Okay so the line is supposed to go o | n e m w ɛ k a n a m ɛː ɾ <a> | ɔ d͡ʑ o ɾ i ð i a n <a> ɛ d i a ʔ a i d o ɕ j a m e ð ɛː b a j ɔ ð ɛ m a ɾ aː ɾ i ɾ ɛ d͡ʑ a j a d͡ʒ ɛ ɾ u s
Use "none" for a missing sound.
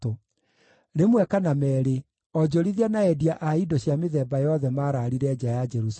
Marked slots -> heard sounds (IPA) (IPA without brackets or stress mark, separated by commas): e, a